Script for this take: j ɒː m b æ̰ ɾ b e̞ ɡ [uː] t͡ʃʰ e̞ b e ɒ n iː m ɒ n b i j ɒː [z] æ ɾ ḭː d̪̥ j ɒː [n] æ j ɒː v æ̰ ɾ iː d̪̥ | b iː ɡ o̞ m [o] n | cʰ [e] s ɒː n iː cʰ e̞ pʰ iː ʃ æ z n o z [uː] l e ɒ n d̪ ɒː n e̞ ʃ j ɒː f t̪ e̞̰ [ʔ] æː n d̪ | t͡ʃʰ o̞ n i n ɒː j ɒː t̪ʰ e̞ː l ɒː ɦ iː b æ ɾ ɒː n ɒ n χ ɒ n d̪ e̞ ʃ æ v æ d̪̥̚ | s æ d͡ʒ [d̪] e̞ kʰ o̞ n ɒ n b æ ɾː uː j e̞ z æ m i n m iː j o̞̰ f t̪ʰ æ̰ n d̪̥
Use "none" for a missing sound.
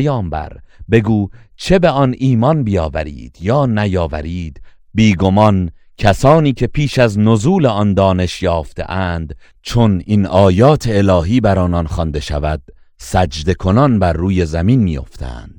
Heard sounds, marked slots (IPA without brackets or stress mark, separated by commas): uː, v, n, ɒ, æ, uː, ʔ, d̪